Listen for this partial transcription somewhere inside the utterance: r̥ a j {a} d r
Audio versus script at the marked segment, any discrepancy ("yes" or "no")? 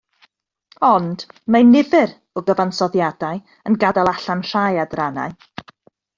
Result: no